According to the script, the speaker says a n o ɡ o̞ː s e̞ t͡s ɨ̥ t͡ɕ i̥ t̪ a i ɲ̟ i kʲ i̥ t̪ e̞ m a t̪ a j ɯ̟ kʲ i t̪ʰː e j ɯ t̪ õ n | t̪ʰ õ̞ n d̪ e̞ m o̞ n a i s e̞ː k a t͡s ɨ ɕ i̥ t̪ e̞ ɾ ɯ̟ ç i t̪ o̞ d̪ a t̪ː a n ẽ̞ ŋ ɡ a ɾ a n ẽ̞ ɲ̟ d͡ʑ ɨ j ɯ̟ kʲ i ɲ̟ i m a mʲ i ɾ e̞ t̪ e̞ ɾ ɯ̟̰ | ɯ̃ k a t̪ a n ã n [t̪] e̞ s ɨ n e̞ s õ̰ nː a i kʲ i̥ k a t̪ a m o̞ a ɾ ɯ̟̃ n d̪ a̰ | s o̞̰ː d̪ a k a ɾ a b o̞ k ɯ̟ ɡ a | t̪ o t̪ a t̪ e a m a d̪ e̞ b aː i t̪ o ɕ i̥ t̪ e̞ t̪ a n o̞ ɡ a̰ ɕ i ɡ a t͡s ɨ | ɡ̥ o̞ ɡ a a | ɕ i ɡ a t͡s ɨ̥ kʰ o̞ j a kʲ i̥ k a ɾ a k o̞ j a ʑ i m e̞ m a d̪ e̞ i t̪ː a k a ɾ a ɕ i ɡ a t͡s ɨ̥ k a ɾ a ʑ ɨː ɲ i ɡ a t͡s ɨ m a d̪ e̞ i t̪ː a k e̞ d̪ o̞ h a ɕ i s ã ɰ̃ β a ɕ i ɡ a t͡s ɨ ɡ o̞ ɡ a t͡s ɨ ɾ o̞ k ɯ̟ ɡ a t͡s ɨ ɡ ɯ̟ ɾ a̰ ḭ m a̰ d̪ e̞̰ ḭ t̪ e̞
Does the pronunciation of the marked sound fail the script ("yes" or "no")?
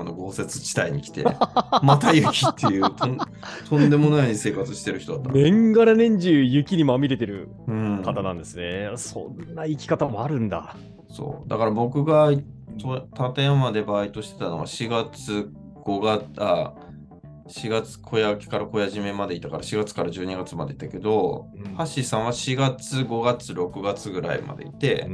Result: yes